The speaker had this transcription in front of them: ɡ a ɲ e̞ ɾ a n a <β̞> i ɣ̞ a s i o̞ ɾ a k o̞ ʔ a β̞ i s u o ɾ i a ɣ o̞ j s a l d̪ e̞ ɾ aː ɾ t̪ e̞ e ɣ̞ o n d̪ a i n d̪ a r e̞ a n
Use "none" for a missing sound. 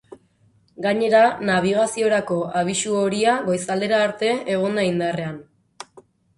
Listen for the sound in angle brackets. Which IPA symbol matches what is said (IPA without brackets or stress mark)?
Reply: β̞